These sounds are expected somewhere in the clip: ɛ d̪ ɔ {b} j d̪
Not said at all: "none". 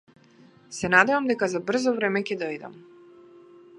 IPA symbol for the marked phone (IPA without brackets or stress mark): none